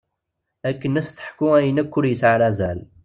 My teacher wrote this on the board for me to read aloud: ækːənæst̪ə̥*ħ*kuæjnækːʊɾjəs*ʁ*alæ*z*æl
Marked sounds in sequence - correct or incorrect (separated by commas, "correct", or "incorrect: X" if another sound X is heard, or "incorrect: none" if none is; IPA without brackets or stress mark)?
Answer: correct, incorrect: ʕ, correct